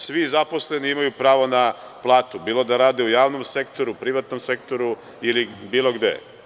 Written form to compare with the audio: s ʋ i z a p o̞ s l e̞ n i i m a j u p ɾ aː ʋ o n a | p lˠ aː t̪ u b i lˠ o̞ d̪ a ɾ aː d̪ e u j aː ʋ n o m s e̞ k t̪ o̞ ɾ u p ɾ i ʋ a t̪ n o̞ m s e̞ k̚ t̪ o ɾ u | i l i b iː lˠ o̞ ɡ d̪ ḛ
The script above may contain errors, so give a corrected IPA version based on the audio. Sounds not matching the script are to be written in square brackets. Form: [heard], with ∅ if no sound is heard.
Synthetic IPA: s ʋ i z a p o̞ s l e̞ n i i m a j u p ɾ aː ʋ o n a | p lˠ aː t̪ u b [iː] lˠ o̞ d̪ a ɾ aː d̪ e u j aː ʋ n o m s e̞ k t̪ o̞ ɾ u p ɾ i ʋ a t̪ n o̞ m s e̞ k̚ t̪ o ɾ u | i l i b iː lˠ o̞ ɡ d̪ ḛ

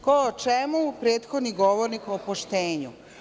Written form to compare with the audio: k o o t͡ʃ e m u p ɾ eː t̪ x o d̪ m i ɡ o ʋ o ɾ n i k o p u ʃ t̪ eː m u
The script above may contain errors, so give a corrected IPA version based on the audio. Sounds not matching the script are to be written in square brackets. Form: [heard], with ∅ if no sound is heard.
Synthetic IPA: k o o t͡ʃ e m u p ɾ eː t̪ x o d̪ [n] i ɡ o ʋ o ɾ n i k o p [o] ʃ t̪ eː [ɲ] u

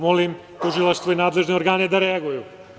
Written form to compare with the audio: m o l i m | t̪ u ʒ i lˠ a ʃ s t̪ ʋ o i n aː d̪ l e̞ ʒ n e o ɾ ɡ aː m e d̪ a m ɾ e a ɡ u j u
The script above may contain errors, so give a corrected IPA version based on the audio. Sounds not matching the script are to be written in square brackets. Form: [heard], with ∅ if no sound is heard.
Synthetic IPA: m o l i m | t̪ u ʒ i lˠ a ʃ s t̪ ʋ o i n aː d̪ l e̞ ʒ n e o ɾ ɡ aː [n] e d̪ a [∅] ɾ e a ɡ u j u

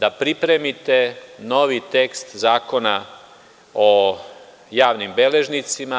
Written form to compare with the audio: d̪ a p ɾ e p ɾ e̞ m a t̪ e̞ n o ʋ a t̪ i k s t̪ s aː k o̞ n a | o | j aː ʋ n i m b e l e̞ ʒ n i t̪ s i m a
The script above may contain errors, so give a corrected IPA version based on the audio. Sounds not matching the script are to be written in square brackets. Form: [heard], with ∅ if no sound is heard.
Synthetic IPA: d̪ a p ɾ [i] p ɾ e̞ m [i] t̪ e̞ n o ʋ [i] t̪ [e] k s t̪ [z] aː k o̞ n a | o | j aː ʋ n i m b e l e̞ ʒ n i t̪ s i m a

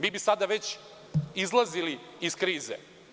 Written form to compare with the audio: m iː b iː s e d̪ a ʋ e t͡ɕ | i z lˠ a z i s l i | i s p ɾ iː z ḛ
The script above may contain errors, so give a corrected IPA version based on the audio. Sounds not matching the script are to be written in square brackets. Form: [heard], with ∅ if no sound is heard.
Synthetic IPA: m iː b [i] s [a] d̪ a ʋ e t͡ɕ | i z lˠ a z i [∅] l i | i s [k] ɾ iː z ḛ

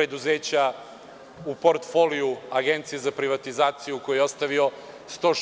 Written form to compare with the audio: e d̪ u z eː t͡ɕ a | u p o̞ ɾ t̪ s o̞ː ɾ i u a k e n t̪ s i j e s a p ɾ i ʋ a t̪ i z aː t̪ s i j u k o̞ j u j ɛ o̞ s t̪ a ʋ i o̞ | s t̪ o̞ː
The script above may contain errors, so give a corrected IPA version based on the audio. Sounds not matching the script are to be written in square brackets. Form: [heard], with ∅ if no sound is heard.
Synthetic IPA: e d̪ u z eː t͡ɕ a | u p o̞ ɾ t̪ [f] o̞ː [l] i u a [ɡ] e n t̪ s i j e [z] a p ɾ i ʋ a t̪ i z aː t̪ s i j u k o̞ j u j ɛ o̞ s t̪ a ʋ i o̞ | s t̪ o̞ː

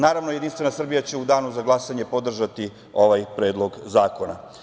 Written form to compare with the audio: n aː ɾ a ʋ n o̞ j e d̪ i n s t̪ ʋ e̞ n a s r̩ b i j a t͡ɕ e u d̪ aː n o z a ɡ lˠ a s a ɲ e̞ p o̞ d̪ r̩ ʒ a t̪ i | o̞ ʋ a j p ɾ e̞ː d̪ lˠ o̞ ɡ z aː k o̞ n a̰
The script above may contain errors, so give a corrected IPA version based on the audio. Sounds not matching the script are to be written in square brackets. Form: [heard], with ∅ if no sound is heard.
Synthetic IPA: n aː ɾ a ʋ n o̞ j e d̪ i n s t̪ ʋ e̞ n a s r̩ b i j a t͡ɕ e u d̪ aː n [u] z a ɡ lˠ a s a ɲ e̞ p o̞ d̪ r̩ ʒ a t̪ i | o̞ ʋ a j p ɾ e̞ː d̪ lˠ o̞ ɡ z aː k o̞ n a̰

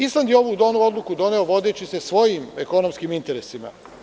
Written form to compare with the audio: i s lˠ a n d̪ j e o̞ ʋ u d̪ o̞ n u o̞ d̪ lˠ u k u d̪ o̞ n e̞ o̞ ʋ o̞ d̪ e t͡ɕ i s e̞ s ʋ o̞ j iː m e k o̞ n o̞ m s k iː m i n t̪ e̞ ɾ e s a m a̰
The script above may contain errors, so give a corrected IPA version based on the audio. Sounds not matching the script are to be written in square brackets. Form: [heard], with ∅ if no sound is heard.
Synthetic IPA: i s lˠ a n d̪ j e o̞ ʋ u d̪ o̞ n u o̞ d̪ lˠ u k u d̪ o̞ n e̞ o̞ ʋ o̞ d̪ e t͡ɕ i s e̞ s ʋ o̞ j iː m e k o̞ n o̞ m s k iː m i n t̪ e̞ ɾ e s [i] m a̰

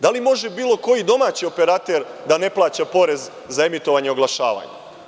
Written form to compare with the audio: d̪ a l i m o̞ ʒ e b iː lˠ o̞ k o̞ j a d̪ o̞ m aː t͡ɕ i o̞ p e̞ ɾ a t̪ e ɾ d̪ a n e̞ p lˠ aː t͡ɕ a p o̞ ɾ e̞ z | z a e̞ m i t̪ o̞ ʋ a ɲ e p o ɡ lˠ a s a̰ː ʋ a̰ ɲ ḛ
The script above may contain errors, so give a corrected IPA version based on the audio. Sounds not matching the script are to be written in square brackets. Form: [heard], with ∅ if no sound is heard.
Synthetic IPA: d̪ a l i m o̞ ʒ e b iː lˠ o̞ k o̞ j [i] d̪ o̞ m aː t͡ɕ i o̞ p e̞ ɾ a t̪ e ɾ d̪ a n e̞ p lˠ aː t͡ɕ a p o̞ ɾ e̞ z | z a e̞ m i t̪ o̞ ʋ a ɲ e [∅] o ɡ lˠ a [ʃ] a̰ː ʋ a̰ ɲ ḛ

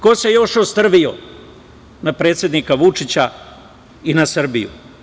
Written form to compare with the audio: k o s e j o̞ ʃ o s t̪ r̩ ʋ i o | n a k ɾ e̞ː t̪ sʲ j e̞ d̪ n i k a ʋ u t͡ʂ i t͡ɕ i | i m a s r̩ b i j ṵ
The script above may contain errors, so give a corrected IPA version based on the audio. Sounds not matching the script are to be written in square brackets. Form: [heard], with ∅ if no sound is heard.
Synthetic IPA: k o s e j o̞ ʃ o s t̪ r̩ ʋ i o | n a [p] ɾ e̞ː t̪ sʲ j e̞ d̪ n i k a ʋ u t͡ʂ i t͡ɕ [a] | i [n] a s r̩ b i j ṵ

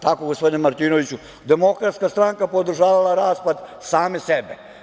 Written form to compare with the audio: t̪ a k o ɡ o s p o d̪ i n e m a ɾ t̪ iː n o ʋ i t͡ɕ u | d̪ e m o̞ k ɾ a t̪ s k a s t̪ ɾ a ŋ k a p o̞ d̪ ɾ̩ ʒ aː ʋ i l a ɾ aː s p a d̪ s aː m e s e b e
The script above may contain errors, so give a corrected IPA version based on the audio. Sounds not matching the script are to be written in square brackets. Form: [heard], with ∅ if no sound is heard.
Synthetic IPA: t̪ a k o ɡ o s p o d̪ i n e m a ɾ t̪ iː n o ʋ i t͡ɕ u | d̪ e m o̞ k ɾ a t̪ s k a s t̪ ɾ a ŋ k a p o̞ d̪ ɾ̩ ʒ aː ʋ [a] l a ɾ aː s p a d̪ s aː m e s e b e

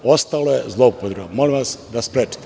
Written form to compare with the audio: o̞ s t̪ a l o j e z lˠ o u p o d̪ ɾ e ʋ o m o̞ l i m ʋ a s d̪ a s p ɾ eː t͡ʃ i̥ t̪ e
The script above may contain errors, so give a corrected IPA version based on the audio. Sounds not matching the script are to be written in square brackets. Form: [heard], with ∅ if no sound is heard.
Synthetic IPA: o̞ s t̪ a l o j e z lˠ o u p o d̪ ɾ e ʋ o m o̞ l i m ʋ a s d̪ a s p ɾ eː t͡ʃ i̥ t̪ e

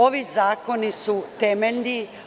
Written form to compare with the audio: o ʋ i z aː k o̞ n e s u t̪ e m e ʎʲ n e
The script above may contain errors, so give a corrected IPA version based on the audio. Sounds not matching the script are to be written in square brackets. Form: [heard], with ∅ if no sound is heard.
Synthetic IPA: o ʋ i z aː k o̞ n [i] s u t̪ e m e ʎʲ n [i]

